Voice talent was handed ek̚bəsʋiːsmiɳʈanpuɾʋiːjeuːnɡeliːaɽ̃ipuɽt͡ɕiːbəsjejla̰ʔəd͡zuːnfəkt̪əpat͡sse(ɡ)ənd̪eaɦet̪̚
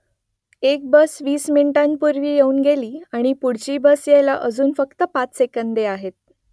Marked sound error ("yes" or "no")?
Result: yes